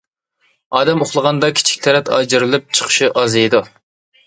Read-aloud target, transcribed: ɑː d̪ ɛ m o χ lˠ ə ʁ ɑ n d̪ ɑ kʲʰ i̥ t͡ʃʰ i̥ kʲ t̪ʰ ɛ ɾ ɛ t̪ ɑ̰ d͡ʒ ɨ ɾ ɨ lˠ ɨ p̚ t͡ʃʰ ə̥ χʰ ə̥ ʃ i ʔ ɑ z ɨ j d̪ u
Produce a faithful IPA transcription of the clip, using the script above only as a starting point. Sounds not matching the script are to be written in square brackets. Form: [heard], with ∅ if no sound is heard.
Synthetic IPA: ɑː d̪ ɛ m o χ lˠ ə ʁ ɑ n d̪ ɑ kʲʰ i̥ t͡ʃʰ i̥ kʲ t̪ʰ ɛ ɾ ɛ t̪ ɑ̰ d͡ʒ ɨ ɾ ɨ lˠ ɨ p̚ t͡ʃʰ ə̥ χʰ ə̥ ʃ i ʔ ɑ z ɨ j d̪ u